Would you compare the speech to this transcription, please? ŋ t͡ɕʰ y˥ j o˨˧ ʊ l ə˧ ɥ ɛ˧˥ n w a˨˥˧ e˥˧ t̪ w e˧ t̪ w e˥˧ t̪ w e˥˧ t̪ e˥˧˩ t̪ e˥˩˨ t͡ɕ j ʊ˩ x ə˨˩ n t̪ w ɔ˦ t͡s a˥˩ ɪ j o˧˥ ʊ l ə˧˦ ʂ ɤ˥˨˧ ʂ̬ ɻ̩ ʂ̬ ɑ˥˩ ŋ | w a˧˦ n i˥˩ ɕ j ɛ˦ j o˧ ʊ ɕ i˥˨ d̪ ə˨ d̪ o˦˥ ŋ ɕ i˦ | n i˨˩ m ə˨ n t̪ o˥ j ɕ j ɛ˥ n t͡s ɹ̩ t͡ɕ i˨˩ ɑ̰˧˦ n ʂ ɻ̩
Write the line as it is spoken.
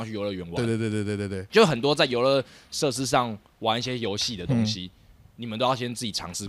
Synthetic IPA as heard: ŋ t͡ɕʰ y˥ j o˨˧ ʊ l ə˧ ɥ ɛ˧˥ n w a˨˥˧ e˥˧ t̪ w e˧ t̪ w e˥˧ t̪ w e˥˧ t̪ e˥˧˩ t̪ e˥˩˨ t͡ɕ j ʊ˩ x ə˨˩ n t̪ w ɔ˦ t͡s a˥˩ ɪ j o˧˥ ʊ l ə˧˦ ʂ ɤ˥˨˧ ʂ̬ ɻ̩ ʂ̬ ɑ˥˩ ŋ | w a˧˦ n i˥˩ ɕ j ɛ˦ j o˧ ʊ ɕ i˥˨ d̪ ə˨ t̪ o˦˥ ŋ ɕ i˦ | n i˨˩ m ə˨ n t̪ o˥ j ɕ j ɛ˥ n t͡s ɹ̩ t͡ɕ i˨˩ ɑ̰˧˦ ŋ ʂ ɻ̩